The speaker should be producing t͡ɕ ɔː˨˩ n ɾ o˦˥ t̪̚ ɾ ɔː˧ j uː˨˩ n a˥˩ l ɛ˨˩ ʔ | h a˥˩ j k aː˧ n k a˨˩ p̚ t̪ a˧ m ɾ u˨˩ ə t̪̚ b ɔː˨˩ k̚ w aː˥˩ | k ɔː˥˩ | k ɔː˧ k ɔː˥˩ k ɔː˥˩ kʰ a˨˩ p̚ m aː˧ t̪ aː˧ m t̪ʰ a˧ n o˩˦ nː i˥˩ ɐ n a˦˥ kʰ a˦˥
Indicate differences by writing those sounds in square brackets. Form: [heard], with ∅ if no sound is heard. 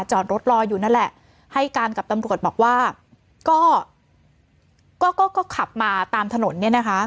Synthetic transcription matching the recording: t͡ɕ ɔː˨˩ n ɾ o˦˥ t̪̚ ɾ ɔː˧ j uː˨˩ n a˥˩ l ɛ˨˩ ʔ | h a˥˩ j k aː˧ n k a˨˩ p̚ t̪ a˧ m ɾ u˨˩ ə t̪̚ b ɔː˨˩ k̚ w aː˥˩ | k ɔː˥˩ | k [ɔː˥˩] k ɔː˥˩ k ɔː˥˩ kʰ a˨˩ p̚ m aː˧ t̪ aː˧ m t̪ʰ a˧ n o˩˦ nː i˥˩ ɐ n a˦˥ kʰ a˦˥